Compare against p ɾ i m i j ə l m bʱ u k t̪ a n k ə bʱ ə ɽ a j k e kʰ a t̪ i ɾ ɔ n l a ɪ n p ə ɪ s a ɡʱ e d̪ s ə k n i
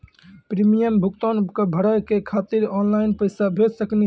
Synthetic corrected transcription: p ɾ i m i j ə m bʱ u k t̪ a n k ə bʱ ə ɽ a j k e kʰ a t̪ i ɾ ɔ n l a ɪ n p ə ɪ s a bʱ e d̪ s ə k n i